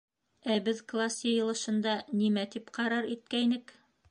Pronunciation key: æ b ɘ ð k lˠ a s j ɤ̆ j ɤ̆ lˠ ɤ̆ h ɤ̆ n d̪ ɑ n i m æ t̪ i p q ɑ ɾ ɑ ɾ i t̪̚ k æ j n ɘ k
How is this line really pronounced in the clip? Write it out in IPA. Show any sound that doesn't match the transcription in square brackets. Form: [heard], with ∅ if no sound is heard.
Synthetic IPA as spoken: æ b ɘ ð k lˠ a s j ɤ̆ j ɤ̆ lˠ ɤ̆ [ʃ] ɤ̆ n d̪ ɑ n i m æ t̪ i p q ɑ ɾ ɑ ɾ i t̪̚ k æ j n ɘ k